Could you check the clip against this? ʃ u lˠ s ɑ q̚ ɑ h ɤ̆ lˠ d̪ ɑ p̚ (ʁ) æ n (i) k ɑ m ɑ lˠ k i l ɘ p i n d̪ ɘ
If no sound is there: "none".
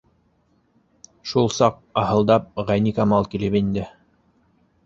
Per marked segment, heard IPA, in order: ʁ, i

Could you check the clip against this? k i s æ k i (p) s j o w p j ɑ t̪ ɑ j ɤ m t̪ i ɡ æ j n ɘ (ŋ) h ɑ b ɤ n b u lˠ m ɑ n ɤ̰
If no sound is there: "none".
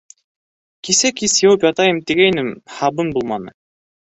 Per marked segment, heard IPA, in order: none, m

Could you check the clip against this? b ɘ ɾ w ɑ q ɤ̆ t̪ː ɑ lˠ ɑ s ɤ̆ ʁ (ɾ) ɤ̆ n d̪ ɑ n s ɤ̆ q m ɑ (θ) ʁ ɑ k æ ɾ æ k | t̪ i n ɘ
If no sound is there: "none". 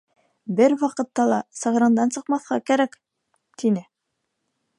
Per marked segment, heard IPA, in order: ɾ, θ

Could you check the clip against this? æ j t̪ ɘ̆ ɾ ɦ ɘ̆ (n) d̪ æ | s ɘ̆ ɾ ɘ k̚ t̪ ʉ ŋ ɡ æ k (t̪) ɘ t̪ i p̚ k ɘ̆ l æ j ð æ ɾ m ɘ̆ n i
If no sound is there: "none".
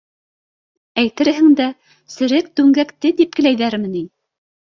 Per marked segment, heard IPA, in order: ŋ, t̪

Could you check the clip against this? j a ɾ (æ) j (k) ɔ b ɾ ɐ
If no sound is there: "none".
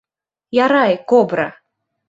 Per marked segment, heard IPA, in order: a, k

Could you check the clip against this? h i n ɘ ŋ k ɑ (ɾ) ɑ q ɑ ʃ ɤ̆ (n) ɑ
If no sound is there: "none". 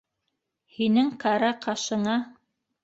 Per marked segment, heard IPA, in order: ɾ, ɴ

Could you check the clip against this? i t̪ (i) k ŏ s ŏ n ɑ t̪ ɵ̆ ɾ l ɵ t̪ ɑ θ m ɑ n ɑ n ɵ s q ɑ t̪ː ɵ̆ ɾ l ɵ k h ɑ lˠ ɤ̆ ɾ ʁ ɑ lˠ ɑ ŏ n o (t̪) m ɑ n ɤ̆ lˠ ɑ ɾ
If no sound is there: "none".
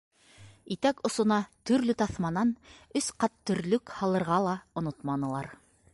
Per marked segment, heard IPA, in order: æ, t̪

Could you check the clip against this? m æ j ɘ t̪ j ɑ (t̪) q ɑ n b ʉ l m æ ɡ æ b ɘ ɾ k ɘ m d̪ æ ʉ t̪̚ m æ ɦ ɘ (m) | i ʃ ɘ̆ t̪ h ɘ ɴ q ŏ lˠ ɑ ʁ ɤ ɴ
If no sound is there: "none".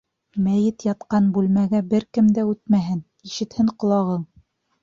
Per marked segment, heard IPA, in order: t̪, n

